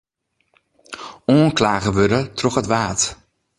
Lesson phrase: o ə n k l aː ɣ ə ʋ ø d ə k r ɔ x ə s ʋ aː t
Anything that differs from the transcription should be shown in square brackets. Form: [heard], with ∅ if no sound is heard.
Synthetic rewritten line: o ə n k l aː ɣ ə ʋ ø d ə [t] r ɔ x ə [t] ʋ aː t